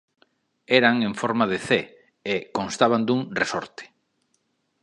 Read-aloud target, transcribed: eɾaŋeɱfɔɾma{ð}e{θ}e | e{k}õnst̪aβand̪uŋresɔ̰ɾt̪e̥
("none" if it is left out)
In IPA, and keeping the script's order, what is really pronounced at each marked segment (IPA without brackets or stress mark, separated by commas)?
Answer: ð, θ, k